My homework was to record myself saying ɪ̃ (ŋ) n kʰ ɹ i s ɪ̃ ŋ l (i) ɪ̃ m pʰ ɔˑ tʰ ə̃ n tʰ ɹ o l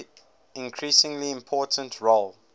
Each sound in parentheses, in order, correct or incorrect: incorrect: none, correct

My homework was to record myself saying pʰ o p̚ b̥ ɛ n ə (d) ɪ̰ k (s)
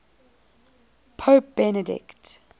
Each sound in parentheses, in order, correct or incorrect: correct, incorrect: t

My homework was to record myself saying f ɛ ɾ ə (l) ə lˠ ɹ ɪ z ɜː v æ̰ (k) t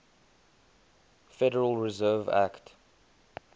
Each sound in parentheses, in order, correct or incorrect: incorrect: ɹ, correct

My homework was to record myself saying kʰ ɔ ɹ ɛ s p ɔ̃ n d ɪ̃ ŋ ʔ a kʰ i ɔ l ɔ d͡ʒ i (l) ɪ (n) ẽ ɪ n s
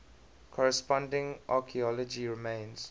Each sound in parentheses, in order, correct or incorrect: incorrect: ɹ, incorrect: m

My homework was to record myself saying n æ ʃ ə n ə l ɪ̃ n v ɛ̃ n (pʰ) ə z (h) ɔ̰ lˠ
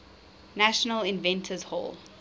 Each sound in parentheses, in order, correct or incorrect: incorrect: tʰ, correct

